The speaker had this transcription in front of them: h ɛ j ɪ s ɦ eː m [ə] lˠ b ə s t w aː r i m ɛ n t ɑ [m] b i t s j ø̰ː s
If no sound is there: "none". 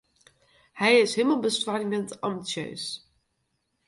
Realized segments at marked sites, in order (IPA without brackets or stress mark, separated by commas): ə, m